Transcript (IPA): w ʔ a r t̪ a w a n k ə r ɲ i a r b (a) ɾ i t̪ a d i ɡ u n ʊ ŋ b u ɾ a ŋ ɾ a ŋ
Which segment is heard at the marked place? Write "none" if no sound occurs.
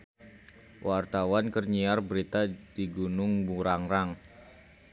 ə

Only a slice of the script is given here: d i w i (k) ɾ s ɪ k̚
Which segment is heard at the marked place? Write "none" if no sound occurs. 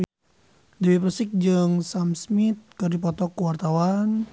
p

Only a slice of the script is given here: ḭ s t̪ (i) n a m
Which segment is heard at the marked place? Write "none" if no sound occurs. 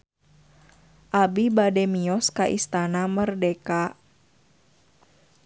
a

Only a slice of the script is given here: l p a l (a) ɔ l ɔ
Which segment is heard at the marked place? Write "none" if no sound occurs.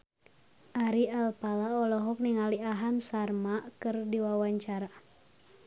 a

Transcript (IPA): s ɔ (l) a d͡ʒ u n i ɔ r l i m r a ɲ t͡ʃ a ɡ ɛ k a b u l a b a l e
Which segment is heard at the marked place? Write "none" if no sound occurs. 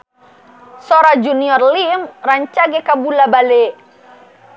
ɾ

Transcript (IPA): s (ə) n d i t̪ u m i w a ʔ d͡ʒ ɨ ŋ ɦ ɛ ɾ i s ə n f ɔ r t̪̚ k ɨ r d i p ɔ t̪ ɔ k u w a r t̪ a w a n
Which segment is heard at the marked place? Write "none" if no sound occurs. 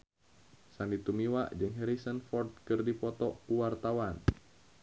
a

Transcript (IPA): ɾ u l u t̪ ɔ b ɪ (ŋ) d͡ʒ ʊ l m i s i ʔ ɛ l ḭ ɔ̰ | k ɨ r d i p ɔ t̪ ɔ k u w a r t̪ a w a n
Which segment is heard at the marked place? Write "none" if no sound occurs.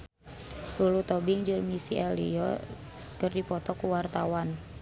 ŋ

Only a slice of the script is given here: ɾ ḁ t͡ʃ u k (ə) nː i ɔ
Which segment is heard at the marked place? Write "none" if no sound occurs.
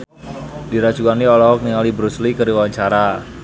a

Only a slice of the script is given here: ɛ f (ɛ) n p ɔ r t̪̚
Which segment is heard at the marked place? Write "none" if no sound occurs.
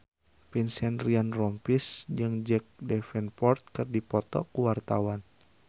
ɛ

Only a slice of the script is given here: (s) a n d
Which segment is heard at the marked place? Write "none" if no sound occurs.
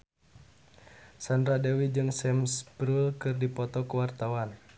s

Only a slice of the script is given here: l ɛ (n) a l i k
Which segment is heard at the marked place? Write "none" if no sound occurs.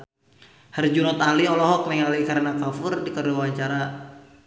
ŋ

